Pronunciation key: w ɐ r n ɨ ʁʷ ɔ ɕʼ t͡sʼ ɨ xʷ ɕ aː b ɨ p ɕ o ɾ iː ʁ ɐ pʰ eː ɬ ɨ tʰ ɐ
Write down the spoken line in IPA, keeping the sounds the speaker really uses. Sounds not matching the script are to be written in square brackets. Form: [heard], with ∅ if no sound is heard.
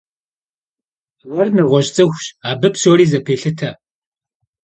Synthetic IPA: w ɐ r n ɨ ʁʷ ɔ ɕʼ t͡sʼ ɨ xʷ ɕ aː b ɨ p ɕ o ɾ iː [z] ɐ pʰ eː ɬ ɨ tʰ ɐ